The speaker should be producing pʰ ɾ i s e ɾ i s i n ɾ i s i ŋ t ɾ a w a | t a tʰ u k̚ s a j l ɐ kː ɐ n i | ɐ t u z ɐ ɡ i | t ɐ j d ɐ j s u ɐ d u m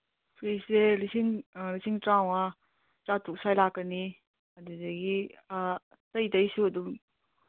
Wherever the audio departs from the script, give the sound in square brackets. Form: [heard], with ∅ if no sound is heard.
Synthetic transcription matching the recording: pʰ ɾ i s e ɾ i s i [ŋ] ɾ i s i ŋ t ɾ a w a | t a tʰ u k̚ s a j l [a] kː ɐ n i | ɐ [d] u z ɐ ɡ i | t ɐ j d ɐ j s u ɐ d u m